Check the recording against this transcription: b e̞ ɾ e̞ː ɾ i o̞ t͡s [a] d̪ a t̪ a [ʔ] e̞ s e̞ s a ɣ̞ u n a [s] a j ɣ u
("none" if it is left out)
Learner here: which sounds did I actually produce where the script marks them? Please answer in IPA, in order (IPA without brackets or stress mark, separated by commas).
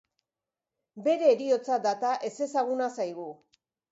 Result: a, ʔ, s